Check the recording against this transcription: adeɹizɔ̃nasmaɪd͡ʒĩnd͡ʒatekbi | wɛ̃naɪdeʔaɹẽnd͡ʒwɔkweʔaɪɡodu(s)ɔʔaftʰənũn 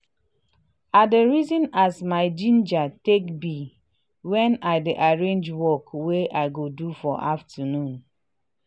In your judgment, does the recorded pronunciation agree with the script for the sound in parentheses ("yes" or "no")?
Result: no